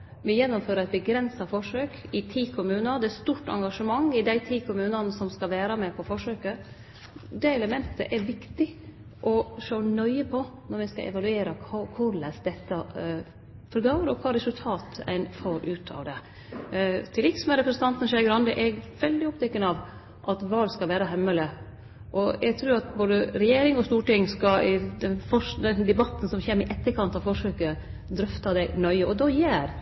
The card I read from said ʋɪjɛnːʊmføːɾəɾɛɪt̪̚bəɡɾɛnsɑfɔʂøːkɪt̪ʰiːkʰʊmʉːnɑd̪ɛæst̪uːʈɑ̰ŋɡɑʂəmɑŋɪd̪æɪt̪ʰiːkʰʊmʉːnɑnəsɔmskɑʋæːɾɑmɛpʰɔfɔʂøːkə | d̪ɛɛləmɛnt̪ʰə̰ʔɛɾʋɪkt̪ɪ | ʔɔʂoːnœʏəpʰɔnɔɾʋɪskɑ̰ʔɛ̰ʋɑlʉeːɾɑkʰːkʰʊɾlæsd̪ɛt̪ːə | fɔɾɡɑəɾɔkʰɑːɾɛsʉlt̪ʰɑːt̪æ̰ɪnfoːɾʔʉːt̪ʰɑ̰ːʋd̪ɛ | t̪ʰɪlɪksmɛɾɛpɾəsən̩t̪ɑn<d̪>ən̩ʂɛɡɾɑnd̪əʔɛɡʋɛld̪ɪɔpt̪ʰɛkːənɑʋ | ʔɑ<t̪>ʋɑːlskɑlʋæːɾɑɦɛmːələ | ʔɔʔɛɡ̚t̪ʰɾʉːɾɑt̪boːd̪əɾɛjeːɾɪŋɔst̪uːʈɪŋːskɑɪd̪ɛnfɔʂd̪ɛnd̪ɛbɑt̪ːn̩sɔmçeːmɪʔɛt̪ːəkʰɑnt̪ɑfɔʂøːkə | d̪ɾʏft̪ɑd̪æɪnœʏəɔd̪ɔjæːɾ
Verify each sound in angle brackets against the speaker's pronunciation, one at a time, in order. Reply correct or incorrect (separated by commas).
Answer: incorrect, correct